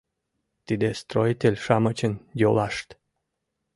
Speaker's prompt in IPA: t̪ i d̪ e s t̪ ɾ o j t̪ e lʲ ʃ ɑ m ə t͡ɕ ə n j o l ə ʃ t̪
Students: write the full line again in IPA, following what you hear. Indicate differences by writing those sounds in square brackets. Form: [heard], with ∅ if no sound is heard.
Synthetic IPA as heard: t̪ i d̪ e s t̪ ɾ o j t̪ e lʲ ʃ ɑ m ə t͡ɕ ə n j o l [ɑ] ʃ t̪